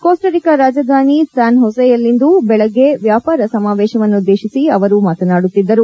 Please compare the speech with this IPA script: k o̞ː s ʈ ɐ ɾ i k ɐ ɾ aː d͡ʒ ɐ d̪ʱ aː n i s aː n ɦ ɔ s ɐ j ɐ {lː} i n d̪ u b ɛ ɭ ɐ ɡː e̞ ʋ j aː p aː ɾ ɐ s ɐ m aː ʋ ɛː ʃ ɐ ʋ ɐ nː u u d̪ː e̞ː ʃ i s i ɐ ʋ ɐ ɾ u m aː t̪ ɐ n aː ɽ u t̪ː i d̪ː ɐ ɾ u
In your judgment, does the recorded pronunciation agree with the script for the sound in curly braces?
yes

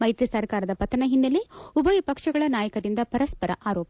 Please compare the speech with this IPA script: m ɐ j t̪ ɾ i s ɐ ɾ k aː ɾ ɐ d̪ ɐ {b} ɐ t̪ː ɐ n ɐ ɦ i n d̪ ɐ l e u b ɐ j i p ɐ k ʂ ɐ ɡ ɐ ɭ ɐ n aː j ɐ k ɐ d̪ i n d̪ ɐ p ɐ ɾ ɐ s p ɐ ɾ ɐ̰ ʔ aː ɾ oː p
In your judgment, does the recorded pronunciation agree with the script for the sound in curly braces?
no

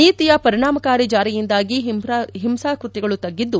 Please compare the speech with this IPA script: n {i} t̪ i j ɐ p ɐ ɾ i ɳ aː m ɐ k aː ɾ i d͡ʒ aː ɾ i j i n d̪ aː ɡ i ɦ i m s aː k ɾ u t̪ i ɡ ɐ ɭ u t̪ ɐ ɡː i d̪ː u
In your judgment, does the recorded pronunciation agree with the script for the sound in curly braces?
no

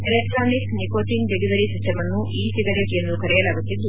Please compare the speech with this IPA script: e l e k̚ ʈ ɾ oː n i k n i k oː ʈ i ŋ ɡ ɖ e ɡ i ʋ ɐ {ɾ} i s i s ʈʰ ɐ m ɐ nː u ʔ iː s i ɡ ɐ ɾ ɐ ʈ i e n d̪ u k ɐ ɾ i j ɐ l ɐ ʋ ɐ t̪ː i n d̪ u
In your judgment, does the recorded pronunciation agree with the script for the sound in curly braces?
yes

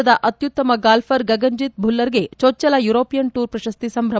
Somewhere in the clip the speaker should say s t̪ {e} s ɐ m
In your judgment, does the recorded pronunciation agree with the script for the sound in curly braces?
no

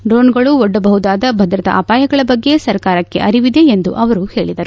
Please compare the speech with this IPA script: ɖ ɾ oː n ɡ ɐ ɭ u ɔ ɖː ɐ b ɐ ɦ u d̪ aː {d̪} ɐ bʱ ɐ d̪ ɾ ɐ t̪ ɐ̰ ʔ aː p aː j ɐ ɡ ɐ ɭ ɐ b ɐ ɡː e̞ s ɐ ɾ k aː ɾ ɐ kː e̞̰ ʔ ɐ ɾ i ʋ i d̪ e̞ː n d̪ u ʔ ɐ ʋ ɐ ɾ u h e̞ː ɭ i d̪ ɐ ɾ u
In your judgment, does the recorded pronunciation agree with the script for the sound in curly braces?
yes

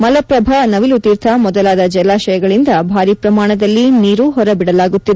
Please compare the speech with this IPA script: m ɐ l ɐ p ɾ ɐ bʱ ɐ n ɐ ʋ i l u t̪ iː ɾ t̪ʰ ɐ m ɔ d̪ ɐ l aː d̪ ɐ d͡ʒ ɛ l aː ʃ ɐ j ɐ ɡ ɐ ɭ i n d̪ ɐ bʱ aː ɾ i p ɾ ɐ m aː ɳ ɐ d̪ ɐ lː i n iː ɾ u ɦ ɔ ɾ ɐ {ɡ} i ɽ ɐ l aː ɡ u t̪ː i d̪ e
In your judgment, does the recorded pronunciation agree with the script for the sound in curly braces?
no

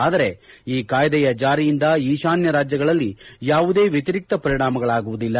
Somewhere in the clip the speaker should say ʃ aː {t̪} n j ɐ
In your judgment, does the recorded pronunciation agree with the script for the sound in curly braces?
no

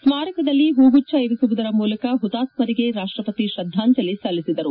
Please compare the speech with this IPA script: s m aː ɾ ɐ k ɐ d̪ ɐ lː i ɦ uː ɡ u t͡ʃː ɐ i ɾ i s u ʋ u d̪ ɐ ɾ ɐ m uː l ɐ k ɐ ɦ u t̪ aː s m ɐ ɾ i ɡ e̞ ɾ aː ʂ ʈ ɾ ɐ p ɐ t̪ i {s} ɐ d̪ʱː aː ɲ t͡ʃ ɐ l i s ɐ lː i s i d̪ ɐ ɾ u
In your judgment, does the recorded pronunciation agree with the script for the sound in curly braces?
no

